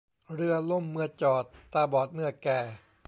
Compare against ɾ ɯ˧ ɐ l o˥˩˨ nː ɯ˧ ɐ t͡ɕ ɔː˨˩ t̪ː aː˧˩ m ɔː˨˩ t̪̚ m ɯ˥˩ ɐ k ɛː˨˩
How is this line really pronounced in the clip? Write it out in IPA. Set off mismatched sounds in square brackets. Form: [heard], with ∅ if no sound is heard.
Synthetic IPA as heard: ɾ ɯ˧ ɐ l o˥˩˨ [mː] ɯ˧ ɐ t͡ɕ ɔː˨˩ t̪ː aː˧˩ [b] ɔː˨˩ t̪̚ m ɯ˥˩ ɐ k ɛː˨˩

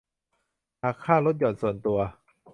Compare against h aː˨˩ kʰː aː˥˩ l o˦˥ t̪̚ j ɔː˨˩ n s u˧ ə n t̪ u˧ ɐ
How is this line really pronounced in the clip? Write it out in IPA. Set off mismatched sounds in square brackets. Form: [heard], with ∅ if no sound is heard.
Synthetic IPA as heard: h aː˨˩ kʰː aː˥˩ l o˦˥ t̪̚ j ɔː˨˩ n s [u˨˩] ə n t̪ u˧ ɐ

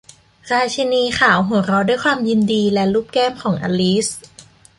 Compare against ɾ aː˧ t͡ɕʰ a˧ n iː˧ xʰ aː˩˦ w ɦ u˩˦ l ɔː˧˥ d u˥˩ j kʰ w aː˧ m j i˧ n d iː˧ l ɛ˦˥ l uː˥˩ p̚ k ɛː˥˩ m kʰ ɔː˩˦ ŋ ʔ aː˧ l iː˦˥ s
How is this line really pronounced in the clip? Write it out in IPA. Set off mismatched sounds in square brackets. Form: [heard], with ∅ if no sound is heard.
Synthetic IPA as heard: ɾ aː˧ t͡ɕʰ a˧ n iː˧ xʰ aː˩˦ w ɦ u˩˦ [ɾ] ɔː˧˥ d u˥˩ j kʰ w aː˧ m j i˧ n d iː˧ l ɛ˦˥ l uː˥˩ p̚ k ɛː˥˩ m kʰ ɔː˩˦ ŋ ʔ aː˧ l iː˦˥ s

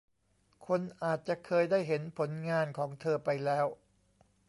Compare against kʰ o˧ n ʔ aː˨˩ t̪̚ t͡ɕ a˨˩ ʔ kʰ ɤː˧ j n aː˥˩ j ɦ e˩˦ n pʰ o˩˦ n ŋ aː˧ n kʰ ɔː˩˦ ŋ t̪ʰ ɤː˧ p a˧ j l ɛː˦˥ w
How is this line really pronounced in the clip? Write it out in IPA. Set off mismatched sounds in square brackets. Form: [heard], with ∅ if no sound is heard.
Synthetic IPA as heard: kʰ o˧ n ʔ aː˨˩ t̪̚ t͡ɕ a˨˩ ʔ kʰ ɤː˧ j [d] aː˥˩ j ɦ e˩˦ n pʰ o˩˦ n ŋ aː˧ n kʰ ɔː˩˦ ŋ t̪ʰ ɤː˧ p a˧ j l ɛː˦˥ w

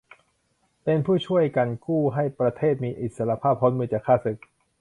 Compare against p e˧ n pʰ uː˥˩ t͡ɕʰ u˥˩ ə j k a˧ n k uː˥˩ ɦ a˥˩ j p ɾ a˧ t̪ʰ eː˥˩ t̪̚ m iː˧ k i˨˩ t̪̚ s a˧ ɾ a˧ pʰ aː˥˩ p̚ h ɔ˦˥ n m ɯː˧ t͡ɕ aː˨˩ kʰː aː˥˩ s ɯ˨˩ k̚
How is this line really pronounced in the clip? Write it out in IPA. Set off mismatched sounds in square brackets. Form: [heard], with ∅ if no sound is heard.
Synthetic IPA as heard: p e˧ n pʰ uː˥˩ t͡ɕʰ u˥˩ ə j k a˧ n k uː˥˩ ɦ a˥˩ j p ɾ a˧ t̪ʰ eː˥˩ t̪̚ m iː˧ [ʔ] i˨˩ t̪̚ s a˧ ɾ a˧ pʰ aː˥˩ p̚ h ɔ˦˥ n m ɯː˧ t͡ɕ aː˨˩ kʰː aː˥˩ s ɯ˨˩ k̚

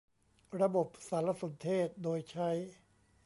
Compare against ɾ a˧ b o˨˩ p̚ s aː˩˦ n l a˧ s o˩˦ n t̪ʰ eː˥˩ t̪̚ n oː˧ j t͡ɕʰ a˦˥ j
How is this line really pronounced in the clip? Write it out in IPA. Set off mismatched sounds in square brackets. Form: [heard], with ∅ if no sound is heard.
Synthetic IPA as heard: ɾ a˧ b o˨˩ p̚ s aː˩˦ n l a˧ s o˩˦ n t̪ʰ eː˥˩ t̪̚ [d] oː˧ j t͡ɕʰ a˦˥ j

